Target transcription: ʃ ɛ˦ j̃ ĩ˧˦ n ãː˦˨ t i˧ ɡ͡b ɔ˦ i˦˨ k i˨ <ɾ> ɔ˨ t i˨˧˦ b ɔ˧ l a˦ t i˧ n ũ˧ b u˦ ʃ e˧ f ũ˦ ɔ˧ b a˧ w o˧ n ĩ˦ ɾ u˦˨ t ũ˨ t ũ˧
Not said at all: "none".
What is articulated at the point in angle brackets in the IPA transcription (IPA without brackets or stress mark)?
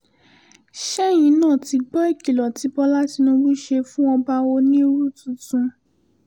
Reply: l